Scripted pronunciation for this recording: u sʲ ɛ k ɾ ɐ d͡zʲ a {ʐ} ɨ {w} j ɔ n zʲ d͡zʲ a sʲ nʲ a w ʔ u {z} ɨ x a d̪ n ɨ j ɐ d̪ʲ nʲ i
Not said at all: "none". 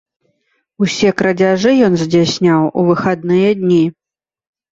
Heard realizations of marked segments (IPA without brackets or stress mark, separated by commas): ʐ, none, v